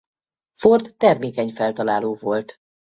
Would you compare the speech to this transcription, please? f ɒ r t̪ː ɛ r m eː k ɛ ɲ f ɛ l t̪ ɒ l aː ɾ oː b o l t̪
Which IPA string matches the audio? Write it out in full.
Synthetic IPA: f o r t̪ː ɛ r m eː k ɛ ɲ f ɛ l t̪ ɒ l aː l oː v o l t̪